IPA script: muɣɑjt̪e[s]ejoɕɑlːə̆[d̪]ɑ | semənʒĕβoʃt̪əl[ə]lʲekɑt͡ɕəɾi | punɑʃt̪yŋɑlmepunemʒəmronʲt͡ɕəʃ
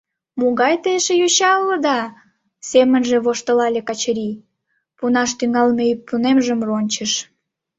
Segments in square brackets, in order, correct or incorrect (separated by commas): incorrect, correct, incorrect